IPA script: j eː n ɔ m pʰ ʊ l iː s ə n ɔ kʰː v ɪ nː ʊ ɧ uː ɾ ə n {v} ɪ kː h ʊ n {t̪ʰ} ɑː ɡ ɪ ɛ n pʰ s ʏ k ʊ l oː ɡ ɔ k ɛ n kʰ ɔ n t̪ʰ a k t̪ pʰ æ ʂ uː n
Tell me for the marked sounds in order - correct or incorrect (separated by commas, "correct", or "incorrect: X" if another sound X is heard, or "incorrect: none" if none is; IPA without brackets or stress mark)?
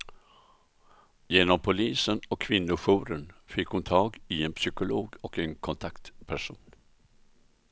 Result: incorrect: f, correct